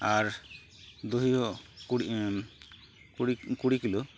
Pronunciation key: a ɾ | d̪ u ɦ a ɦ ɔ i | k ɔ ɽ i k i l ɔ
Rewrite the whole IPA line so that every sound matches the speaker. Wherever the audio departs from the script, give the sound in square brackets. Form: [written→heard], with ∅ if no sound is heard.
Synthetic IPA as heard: a ɾ | d̪ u ɦ [a→i] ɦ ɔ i | k [ɔ→u] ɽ i k i l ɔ